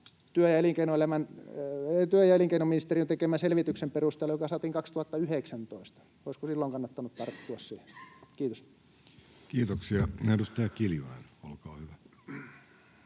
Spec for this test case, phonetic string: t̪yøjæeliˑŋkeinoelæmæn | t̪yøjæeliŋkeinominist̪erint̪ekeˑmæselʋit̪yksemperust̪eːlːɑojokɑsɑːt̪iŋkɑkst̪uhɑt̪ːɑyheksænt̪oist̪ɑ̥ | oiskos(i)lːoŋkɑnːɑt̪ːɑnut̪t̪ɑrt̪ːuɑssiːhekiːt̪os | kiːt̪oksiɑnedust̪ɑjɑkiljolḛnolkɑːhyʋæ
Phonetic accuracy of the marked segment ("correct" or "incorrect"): correct